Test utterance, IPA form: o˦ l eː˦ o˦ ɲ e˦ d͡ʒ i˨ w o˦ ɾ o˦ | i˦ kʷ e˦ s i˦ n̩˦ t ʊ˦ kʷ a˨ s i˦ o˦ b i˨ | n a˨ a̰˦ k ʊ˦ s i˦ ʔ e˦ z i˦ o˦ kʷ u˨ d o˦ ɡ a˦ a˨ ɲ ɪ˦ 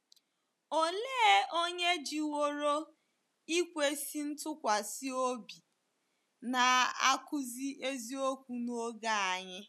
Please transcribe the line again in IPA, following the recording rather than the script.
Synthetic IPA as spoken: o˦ l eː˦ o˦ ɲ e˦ d͡ʒ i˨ w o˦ ɾ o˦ | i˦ kʷ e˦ s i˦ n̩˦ t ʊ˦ kʷ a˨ s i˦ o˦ b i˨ | n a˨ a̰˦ k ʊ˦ z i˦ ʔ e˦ z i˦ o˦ kʷ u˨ n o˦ ɡ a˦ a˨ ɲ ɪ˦